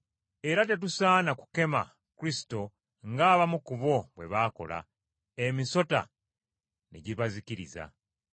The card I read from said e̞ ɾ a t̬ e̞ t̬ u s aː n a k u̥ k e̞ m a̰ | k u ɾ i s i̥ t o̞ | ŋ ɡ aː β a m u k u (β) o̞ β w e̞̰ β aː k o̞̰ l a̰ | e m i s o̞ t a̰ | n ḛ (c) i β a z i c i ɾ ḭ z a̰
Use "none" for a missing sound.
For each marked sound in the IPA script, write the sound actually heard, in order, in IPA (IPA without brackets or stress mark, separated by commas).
β, ɟ